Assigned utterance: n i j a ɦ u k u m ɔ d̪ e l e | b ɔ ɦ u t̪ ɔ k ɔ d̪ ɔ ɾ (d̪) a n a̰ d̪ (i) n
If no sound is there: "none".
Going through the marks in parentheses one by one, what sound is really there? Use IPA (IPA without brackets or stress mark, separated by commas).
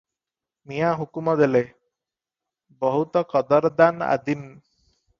d̪, i